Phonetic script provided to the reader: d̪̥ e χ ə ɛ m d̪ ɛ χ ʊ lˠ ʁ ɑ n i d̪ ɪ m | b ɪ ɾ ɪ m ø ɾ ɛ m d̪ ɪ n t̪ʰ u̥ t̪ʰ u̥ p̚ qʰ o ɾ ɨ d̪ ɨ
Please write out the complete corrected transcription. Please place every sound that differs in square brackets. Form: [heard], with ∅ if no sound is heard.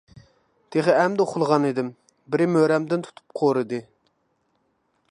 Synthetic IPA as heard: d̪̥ e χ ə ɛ m d̪ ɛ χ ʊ lˠ ʁ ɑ n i d̪ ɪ m | b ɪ ɾ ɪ m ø ɾ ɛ m d̪ ɪ n t̪ʰ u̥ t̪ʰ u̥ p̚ qʰ o ɾ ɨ d̪ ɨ